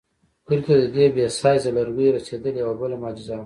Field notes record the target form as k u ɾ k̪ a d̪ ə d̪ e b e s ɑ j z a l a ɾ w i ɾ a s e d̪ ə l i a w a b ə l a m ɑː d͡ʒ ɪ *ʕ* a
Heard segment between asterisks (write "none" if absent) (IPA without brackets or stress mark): z